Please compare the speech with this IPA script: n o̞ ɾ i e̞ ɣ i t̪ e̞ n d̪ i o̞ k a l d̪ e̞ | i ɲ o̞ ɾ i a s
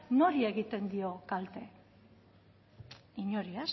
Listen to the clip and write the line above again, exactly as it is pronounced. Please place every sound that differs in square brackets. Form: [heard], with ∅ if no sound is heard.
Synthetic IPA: n o̞ ɾ i e̞ ɣ i t̪ e̞ n d̪ i o̞ k a l [t̪] e̞ | i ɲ o̞ ɾ i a s